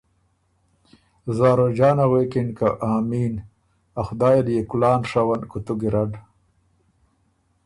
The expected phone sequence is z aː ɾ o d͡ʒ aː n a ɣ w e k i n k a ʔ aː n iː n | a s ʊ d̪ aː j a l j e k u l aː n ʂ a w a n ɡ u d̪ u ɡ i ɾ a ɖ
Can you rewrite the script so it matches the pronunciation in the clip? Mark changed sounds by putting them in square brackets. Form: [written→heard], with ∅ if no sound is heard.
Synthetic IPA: z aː ɾ o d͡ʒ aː n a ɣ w e k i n k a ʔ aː [n→m] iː n | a [s→x] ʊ d̪ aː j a l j e k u l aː n ʂ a w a n [ɡ→k] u [d̪→t̪] u ɡ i ɾ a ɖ